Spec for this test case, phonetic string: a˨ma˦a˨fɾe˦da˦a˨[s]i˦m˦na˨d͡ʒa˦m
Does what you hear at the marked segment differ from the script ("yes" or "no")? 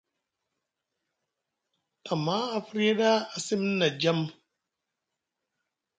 no